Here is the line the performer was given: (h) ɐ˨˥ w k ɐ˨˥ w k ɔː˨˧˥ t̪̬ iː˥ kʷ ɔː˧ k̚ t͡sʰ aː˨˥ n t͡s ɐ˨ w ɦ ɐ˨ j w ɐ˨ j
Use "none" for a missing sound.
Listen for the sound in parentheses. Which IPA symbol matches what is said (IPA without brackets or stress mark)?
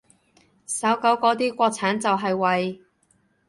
s